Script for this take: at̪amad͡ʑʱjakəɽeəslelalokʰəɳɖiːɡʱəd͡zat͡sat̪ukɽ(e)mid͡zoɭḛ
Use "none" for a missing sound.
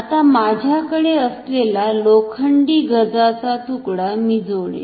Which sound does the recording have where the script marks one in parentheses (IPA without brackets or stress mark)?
a